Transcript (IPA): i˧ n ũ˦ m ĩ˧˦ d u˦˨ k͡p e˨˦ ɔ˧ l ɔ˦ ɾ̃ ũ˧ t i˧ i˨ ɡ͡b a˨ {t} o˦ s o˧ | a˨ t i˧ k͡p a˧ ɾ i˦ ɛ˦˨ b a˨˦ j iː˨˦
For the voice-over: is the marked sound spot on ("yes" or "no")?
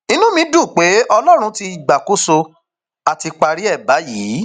no